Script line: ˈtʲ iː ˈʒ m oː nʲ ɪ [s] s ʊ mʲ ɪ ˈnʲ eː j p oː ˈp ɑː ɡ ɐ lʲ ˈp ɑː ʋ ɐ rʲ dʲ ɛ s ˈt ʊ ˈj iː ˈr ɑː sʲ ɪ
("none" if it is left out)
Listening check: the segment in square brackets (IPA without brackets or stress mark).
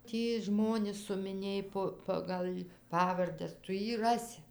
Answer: s